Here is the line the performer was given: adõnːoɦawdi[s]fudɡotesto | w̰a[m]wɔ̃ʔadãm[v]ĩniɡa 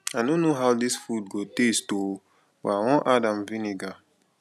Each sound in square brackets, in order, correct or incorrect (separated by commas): correct, incorrect, correct